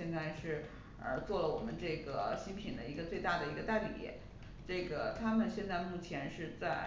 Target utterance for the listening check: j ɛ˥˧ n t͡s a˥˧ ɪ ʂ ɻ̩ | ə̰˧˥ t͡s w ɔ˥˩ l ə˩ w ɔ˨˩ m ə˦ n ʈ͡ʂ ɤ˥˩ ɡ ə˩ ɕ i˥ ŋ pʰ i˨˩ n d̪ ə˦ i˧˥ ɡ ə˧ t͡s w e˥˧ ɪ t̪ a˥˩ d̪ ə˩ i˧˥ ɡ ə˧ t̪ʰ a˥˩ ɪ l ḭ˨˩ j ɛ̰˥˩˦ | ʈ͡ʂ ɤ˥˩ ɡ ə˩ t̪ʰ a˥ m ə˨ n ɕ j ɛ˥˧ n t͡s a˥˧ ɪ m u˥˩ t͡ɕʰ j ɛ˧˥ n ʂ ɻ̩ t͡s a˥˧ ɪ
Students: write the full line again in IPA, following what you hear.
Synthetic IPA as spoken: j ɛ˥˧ n t͡s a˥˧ ɪ ʂ ɻ̩ | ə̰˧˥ t͡s w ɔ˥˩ l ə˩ w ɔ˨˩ m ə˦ n ʈ͡ʂ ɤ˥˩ ɡ ə˩ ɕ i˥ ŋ pʰ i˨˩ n d̪ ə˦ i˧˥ ɡ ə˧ t͡s w e˥˧ ɪ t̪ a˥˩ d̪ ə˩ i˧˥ ɡ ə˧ t̪ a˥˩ ɪ l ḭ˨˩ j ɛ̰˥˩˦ | ʈ͡ʂ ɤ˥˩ ɡ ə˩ t̪ʰ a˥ m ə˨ n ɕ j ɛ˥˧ n t͡s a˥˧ ɪ m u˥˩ t͡ɕʰ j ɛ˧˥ n ʂ ɻ̩ t͡s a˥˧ ɪ